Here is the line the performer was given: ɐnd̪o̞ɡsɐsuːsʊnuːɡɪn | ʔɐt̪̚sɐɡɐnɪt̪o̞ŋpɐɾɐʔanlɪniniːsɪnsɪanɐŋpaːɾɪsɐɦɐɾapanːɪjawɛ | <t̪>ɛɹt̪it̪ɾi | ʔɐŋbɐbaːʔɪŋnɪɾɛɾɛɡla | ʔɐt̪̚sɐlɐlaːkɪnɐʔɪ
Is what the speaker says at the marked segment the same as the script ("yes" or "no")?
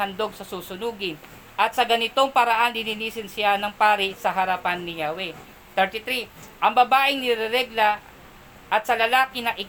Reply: yes